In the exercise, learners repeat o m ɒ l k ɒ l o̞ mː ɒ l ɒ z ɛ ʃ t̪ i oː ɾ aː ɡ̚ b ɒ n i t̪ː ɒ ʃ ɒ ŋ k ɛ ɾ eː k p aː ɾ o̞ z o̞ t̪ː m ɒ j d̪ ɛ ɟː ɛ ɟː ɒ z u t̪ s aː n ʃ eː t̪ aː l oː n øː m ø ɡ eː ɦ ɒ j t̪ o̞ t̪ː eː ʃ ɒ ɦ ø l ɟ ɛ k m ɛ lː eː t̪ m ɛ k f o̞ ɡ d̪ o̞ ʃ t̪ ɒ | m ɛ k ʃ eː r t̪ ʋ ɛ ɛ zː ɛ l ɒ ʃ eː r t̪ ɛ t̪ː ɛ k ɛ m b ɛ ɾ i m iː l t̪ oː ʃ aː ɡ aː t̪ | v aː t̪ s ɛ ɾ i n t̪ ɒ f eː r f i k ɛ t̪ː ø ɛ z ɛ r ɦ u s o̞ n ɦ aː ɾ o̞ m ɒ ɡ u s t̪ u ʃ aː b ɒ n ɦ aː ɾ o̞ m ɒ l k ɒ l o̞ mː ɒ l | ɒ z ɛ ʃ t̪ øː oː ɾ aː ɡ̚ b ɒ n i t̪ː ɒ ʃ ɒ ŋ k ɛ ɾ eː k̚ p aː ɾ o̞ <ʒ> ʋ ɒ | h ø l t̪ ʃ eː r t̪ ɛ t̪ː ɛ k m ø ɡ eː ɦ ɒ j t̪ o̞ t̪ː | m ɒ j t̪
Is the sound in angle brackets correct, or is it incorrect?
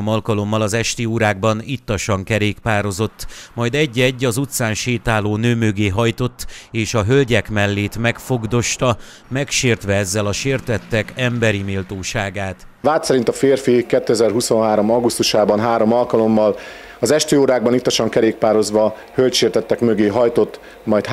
incorrect: z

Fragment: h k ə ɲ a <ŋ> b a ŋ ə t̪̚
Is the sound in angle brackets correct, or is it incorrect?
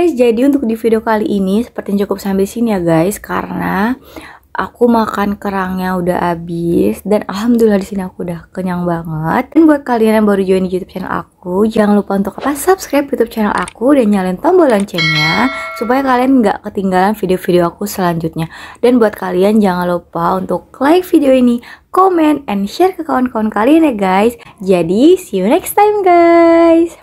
correct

